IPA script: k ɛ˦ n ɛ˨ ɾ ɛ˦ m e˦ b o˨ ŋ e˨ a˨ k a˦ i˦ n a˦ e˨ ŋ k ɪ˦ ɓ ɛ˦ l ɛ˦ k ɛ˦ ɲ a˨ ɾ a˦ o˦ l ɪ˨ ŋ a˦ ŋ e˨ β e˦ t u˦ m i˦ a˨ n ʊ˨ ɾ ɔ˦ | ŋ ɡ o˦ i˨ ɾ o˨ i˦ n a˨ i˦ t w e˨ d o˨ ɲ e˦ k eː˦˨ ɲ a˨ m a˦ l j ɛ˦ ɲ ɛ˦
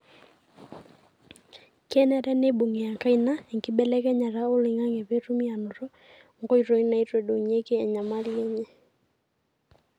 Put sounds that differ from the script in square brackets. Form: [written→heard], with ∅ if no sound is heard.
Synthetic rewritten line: k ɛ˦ n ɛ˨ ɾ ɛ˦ [m→n] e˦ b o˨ ŋ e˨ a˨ k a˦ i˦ n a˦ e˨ ŋ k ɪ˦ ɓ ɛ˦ l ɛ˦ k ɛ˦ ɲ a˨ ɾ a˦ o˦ l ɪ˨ ŋ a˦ ŋ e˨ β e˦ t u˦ m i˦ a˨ n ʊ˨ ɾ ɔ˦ | ŋ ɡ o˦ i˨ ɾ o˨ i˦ n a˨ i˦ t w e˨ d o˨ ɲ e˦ k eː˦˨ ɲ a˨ m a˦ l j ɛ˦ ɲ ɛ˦